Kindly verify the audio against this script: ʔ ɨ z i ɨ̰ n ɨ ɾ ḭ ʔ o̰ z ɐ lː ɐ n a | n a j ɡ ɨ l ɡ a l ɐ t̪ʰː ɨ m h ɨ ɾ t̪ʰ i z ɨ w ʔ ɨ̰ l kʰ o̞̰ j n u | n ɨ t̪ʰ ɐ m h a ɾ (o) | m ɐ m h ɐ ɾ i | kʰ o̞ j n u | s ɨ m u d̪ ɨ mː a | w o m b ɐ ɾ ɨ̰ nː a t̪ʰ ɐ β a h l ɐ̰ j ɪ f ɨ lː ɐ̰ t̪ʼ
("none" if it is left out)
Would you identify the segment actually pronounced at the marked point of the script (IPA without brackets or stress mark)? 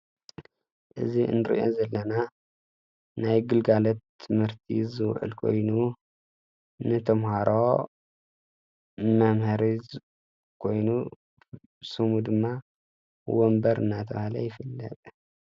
o